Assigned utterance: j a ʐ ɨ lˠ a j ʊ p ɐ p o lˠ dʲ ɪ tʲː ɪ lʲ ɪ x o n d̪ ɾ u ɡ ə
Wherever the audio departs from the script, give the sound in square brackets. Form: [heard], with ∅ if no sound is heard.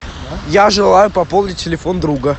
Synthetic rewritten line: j a ʐ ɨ lˠ a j ʊ p ɐ p o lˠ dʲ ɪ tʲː ɪ lʲ ɪ [f] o n d̪ ɾ u ɡ ə